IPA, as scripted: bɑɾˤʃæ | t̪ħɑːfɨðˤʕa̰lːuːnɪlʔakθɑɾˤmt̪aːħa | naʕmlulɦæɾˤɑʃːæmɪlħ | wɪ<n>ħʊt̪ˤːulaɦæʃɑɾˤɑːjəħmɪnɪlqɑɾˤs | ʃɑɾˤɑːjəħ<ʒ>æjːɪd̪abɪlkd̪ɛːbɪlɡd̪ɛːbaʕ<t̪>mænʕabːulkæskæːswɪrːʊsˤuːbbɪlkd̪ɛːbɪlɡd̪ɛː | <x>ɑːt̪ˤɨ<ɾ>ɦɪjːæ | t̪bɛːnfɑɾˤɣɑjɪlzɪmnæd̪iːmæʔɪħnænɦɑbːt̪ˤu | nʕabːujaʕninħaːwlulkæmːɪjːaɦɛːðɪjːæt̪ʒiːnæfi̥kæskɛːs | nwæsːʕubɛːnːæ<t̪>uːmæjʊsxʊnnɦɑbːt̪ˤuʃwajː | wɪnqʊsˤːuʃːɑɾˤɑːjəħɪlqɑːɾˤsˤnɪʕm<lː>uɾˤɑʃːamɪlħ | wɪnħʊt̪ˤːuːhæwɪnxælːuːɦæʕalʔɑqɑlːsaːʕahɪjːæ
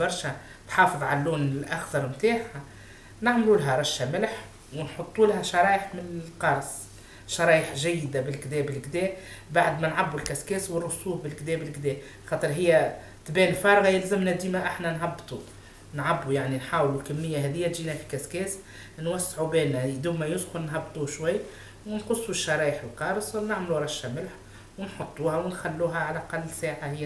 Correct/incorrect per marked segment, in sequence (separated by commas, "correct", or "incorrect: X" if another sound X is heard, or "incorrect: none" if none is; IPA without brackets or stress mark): correct, correct, incorrect: d̪, correct, correct, incorrect: d̪, incorrect: l